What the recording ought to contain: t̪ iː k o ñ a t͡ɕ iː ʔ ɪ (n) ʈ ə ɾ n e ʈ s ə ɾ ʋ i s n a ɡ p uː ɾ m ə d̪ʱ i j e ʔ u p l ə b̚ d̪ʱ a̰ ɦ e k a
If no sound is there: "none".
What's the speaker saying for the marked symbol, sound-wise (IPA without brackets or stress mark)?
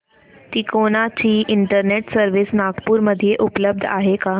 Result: ɳ